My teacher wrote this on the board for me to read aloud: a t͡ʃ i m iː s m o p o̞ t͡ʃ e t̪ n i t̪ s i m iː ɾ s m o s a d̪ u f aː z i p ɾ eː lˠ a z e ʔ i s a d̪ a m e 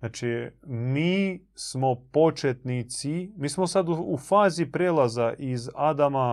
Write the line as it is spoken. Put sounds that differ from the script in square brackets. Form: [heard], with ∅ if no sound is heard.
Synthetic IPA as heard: a t͡ʃ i m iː s m o p o̞ t͡ʃ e t̪ n i t̪ s i m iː [∅] s m o s a d̪ u f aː z i p ɾ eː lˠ a z [a] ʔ i [z] a d̪ a m [a]